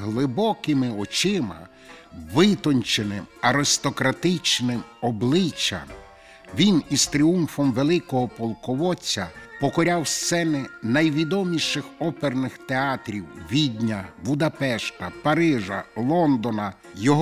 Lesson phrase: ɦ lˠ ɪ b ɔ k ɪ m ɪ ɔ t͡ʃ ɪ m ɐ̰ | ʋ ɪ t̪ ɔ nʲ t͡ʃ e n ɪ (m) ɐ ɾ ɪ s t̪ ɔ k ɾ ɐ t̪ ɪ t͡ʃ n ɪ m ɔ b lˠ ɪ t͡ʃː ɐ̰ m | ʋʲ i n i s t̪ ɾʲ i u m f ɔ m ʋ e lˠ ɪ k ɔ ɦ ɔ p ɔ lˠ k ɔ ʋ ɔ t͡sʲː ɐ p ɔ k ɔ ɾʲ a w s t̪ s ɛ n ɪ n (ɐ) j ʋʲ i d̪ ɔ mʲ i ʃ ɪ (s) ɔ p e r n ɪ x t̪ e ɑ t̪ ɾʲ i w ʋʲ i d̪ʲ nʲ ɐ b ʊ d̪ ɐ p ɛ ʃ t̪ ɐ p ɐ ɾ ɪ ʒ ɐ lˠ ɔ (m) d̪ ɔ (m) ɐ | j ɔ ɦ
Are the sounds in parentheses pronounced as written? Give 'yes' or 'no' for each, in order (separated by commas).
yes, yes, no, no, no